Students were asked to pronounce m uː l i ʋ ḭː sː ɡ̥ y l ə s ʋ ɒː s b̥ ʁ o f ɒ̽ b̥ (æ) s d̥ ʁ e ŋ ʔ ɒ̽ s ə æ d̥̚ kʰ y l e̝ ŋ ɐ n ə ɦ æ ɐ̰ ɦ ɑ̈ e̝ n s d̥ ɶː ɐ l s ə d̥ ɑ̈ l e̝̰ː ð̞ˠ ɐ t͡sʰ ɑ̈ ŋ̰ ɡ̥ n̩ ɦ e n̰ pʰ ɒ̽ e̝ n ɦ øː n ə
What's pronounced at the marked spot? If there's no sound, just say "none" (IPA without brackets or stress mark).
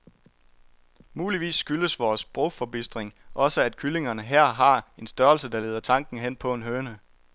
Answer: i